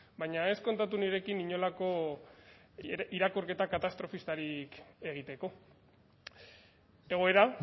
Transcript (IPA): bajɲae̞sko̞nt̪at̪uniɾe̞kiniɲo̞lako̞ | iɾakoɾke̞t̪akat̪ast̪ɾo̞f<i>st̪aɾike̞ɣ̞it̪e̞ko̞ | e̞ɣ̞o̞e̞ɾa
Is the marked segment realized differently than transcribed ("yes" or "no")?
no